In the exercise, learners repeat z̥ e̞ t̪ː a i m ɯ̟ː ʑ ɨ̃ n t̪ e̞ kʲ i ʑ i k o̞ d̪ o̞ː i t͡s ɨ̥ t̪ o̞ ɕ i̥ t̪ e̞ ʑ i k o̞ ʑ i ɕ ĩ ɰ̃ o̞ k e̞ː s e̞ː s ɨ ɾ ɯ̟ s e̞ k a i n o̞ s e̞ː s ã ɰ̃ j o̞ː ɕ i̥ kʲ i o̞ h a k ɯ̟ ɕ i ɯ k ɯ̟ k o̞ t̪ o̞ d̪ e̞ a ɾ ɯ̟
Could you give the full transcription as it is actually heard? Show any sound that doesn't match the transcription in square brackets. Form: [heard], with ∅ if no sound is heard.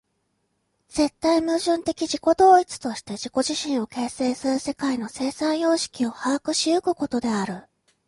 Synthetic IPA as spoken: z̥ e̞ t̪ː a i m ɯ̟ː ʑ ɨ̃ n t̪ e̞ kʲ i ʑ i k o̞ d̪ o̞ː i t͡s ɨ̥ t̪ o̞ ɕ i̥ t̪ e̞ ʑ i k o̞ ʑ i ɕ ĩ ɰ̃ o̞ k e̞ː s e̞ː s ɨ ɾ ɯ̟ s e̞ k a i n o̞ s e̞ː s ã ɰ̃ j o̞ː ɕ i̥ kʲ i o̞ h a k ɯ̟ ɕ i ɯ k ɯ̟ k o̞ t̪ o̞ d̪ e̞ a ɾ ɯ̟